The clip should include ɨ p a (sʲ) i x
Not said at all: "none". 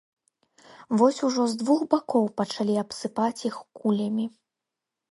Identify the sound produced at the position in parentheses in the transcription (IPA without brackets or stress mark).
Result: t͡sʲ